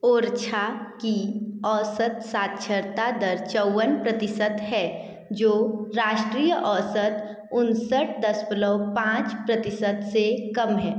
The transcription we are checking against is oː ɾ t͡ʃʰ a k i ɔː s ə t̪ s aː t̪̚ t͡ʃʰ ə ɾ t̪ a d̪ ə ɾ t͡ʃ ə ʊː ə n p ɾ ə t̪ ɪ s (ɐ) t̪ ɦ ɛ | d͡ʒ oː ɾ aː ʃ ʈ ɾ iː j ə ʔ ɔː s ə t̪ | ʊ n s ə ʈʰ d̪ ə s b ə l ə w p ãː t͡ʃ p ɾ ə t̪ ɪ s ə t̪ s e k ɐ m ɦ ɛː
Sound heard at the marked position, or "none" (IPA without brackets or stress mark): ə